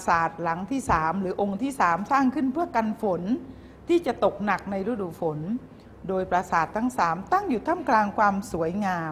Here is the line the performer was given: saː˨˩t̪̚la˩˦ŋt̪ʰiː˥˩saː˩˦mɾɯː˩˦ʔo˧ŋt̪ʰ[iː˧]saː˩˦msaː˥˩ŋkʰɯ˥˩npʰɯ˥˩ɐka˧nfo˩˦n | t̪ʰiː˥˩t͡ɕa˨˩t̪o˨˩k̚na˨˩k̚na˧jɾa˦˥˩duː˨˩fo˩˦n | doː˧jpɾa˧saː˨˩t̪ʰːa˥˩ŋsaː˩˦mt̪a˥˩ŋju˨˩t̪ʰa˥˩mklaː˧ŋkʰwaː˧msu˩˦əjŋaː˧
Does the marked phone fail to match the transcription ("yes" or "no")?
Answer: yes